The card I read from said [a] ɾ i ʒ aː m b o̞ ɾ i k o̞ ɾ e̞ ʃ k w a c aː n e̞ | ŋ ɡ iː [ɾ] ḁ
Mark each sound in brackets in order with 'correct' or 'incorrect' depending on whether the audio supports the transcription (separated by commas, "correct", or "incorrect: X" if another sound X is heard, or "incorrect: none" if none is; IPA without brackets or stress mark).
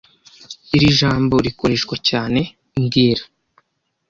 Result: incorrect: i, correct